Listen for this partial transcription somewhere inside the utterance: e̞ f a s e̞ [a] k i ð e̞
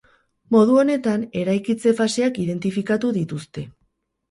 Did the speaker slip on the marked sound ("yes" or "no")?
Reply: no